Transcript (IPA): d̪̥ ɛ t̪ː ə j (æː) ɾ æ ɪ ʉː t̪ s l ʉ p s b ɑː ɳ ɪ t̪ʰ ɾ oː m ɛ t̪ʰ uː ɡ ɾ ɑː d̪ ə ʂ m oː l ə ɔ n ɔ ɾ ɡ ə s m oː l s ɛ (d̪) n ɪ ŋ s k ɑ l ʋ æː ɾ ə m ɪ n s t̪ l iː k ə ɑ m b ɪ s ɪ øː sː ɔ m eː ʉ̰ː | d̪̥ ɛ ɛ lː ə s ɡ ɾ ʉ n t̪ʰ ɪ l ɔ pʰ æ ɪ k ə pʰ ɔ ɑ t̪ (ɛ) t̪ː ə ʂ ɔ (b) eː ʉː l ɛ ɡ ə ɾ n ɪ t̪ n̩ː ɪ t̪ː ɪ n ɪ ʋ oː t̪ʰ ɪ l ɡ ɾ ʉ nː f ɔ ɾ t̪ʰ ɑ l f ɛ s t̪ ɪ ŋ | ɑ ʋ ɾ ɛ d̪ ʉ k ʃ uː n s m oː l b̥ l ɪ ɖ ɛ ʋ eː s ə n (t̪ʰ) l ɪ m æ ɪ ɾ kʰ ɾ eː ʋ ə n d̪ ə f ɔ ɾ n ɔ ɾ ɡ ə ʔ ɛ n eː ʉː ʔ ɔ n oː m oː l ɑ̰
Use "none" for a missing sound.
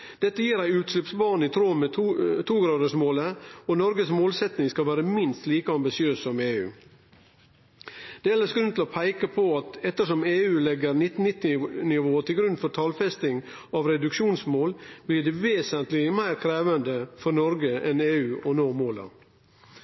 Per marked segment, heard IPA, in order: iː, t̪, ɛ, m, t̪

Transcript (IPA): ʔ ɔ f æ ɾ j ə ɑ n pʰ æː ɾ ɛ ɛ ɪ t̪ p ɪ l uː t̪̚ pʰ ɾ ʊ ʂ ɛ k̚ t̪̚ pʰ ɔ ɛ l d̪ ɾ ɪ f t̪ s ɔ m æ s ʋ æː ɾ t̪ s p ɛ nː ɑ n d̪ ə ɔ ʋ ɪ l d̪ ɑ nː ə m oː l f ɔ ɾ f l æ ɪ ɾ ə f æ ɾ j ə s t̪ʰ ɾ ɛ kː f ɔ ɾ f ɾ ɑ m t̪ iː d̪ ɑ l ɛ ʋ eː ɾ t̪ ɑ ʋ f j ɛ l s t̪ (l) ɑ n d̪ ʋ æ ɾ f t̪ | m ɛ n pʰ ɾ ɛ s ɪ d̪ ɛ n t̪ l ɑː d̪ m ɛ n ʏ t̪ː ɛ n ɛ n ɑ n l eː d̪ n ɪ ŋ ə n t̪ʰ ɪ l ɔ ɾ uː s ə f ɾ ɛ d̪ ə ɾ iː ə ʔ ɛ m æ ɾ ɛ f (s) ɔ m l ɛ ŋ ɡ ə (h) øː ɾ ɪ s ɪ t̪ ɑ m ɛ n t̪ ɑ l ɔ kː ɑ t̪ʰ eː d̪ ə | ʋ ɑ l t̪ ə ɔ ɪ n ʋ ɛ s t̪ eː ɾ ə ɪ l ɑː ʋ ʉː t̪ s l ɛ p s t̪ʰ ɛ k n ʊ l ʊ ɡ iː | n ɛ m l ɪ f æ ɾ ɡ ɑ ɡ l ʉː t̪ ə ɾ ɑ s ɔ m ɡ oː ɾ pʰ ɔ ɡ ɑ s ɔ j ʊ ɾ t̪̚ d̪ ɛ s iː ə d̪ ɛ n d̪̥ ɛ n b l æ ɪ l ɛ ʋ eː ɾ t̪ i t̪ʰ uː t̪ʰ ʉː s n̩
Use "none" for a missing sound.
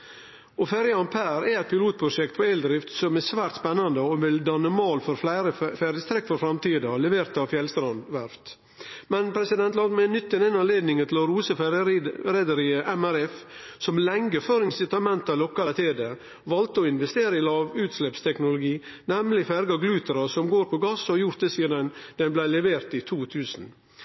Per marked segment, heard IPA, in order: ɾ, s, f

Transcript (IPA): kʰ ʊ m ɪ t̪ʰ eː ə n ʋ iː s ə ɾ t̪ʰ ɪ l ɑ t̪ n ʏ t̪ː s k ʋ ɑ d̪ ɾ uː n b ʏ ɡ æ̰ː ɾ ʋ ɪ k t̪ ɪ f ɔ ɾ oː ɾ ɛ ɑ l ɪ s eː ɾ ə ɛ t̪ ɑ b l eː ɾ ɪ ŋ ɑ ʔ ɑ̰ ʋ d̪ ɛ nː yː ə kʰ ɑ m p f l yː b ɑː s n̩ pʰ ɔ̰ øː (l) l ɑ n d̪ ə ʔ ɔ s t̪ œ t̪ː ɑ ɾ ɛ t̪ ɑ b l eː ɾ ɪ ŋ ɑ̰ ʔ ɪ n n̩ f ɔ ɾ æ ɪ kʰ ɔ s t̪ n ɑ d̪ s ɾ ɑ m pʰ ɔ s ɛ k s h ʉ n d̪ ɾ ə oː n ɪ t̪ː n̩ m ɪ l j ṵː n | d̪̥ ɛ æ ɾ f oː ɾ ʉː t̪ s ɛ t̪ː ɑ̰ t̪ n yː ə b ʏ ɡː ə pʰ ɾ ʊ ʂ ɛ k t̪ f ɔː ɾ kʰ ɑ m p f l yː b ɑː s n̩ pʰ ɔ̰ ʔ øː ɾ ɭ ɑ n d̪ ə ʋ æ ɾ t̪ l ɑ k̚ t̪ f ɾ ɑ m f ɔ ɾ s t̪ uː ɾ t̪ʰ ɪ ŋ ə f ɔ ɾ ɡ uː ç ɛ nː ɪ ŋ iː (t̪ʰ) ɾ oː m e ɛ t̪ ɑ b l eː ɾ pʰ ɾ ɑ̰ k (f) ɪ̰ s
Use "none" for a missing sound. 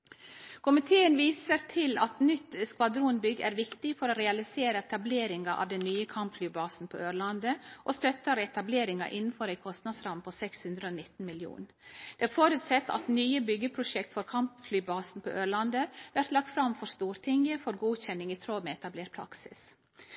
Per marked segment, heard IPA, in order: ɾ, t̪ʰ, s

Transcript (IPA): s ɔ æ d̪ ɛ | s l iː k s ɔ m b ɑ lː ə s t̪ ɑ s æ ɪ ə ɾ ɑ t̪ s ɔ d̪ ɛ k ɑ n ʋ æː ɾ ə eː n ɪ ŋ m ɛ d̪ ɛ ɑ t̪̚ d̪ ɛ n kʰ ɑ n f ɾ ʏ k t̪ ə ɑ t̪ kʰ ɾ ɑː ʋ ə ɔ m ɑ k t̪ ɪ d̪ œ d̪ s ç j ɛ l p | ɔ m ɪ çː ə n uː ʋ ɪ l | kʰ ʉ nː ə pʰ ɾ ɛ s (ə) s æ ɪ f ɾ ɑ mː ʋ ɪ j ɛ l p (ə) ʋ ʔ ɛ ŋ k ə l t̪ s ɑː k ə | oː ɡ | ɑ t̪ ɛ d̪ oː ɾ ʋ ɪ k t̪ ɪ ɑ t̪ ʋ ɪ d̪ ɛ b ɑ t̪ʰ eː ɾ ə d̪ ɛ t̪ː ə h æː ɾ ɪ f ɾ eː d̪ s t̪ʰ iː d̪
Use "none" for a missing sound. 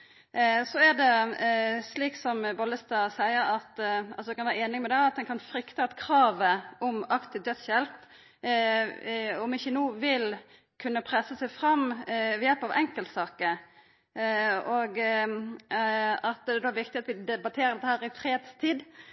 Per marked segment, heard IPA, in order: ə, ɑ

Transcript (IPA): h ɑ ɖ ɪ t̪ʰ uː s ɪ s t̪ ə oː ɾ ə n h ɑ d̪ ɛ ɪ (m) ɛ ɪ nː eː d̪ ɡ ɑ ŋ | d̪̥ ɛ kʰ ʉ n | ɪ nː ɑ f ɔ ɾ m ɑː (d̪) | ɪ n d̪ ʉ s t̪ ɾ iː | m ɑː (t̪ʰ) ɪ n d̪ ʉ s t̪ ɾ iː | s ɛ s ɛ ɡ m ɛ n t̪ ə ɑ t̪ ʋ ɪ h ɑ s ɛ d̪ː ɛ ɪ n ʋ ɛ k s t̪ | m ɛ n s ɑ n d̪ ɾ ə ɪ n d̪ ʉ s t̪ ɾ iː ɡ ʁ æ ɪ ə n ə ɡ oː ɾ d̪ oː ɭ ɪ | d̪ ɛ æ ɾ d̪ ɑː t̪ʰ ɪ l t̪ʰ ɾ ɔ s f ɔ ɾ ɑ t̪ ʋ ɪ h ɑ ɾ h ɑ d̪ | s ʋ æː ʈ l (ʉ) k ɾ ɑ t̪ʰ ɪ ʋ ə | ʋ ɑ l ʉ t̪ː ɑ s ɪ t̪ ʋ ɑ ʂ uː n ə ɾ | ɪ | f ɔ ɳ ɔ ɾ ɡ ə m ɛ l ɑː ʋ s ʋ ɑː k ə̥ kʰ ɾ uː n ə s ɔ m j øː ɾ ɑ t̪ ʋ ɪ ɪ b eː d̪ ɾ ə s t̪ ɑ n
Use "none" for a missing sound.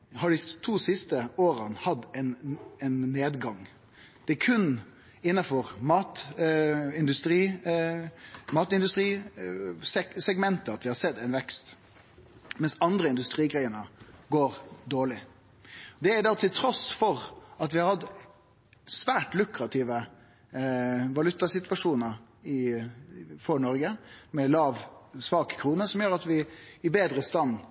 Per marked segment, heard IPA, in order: n, t̪, t̪, ʉ

